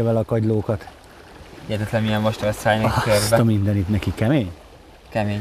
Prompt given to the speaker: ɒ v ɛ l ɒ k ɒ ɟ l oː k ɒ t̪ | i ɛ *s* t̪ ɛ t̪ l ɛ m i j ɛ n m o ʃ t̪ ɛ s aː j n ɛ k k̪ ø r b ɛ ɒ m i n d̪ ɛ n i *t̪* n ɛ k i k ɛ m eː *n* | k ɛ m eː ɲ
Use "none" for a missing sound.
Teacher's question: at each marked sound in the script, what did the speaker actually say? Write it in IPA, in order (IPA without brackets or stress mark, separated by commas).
none, t̪, ɲ